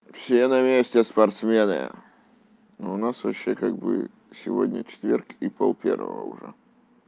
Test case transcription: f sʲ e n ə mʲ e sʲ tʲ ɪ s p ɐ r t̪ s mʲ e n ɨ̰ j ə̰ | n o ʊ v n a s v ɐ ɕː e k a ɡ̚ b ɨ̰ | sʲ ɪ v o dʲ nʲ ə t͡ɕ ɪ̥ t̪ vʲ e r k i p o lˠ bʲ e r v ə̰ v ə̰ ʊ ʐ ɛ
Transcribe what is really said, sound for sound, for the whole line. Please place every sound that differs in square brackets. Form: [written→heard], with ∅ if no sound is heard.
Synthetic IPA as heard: f sʲ e n [ə→ɐ] mʲ e sʲ tʲ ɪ s p ɐ r t̪ s mʲ e n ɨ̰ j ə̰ | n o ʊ [v→∅] n a s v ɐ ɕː e k a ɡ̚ b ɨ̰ | sʲ ɪ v o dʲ nʲ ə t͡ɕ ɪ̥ t̪ vʲ e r k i p o lˠ [bʲ→pʲ] e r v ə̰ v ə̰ ʊ ʐ ɛ